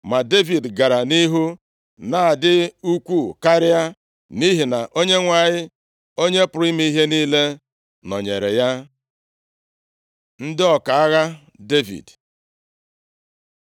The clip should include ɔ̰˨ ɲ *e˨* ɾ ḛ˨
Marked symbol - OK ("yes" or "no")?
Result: yes